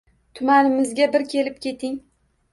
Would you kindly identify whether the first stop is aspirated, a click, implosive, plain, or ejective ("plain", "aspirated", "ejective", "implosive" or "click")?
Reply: aspirated